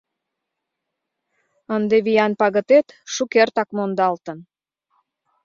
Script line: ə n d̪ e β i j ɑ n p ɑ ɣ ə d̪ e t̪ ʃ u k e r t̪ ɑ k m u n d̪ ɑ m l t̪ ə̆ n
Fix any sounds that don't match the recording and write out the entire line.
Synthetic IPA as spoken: ə n d̪ e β i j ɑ n p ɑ ɣ ə t̪ e t̪ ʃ u k e r t̪ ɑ k m o n d̪ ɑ l t̪ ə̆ n

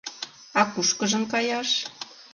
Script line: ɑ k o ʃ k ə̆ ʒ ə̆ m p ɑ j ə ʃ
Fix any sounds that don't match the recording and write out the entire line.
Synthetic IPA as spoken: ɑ k u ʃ k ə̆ ʒ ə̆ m k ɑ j ɑ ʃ

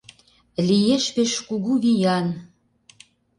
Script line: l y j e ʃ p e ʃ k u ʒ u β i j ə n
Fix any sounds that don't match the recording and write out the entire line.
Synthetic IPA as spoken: l i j e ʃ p e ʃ k u ɣ u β i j ɑ n

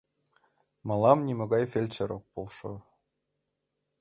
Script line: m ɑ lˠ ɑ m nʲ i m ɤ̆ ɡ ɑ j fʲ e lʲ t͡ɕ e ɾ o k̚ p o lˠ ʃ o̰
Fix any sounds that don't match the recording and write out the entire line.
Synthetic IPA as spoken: m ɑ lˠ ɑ m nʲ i m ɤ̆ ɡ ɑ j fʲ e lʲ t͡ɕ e ɾ o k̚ p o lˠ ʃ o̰

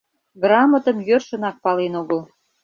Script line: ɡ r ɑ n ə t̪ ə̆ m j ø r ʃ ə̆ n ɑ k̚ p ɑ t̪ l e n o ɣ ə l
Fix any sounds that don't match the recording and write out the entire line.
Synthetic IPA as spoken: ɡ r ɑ m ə t̪ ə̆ m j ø r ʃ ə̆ n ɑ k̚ p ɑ l e n o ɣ ə l

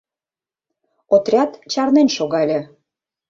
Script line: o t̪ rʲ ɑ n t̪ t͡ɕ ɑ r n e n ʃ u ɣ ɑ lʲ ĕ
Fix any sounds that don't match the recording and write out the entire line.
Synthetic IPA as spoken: o t̪ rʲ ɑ t̪ t͡ɕ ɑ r n e n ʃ o ɣ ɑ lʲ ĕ

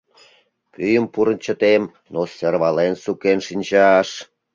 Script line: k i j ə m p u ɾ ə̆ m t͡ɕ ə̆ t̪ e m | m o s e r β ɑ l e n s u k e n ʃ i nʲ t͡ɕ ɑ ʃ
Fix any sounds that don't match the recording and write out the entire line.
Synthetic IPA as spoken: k y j ə m p u ɾ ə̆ n t͡ɕ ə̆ t̪ e m | n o s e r β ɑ l e n s u k e n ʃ i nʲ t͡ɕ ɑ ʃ

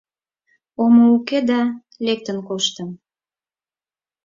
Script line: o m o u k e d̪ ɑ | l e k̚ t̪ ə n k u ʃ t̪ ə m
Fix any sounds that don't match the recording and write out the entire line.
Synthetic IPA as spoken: o m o u k e d̪ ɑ | l e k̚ t̪ ə n k o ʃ t̪ ə m

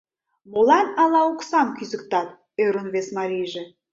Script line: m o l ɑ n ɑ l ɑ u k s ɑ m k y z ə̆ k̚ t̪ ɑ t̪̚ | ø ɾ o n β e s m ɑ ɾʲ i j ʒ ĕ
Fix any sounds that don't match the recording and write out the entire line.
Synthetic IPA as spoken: m o l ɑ n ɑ l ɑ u k s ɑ m k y z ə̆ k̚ t̪ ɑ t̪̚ | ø ɾ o n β e s m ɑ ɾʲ i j ʒ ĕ

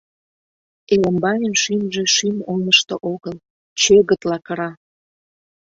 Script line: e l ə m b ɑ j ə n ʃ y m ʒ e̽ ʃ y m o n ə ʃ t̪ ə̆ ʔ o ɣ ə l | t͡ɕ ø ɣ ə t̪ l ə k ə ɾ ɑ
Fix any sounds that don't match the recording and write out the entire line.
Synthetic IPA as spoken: e l ə m b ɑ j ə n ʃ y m ʒ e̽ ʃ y m o n ə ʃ t̪ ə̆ ʔ o ɣ ə l | t͡ɕ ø ɣ ə t̪ l ɑ k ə ɾ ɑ

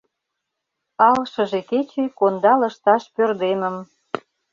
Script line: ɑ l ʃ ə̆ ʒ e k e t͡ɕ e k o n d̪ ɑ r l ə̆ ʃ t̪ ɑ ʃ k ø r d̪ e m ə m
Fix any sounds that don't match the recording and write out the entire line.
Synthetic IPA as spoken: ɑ l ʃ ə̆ ʒ e k e t͡ɕ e k o n d̪ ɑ l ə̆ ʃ t̪ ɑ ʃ p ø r d̪ e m ə m

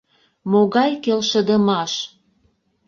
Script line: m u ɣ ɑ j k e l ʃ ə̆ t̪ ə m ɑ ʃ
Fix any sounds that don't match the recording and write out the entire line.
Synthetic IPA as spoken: m o ɣ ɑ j k e l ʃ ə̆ d̪ ə m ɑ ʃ

